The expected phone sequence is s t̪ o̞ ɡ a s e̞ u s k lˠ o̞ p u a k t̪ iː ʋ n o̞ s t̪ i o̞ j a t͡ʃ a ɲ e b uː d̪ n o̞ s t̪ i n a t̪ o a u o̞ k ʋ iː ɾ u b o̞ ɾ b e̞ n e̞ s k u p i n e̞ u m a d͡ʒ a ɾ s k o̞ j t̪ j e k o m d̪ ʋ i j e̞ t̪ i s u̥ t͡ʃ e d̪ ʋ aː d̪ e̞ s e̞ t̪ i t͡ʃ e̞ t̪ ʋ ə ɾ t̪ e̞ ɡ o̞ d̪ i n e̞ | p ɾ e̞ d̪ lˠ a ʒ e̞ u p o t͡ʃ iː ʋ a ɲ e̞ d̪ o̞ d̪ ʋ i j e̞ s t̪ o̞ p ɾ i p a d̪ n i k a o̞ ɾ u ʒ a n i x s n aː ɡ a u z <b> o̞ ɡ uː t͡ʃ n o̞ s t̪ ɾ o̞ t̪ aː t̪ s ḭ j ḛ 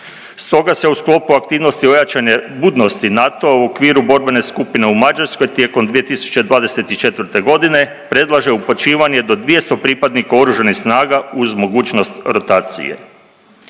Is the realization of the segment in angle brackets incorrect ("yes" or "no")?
yes